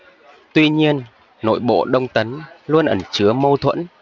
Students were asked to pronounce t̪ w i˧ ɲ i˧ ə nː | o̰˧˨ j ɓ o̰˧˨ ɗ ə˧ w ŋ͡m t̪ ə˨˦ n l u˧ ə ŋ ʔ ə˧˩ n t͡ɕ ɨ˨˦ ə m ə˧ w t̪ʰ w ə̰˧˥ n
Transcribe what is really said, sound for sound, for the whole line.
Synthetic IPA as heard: t̪ w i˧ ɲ i˧ ə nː | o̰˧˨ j ɓ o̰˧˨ ɗ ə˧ w ŋ͡m t̪ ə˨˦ n l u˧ ə n ʔ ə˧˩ n t͡ɕ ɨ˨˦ ə m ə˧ w t̪ʰ w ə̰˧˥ n